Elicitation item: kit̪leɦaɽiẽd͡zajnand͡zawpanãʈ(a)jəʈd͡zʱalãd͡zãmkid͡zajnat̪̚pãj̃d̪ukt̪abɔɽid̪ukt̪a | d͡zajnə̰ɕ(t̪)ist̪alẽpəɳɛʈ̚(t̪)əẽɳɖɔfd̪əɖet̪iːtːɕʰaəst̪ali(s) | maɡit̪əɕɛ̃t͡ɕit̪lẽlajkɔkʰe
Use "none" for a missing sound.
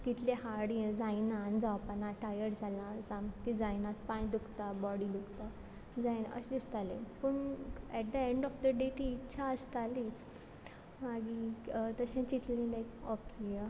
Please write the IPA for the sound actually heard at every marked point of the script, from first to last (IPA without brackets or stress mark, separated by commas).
a, d̪, d̪, t͡s